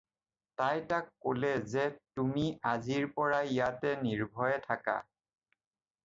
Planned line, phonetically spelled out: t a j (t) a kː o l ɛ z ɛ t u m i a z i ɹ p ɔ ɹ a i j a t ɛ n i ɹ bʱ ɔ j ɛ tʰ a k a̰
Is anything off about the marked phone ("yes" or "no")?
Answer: no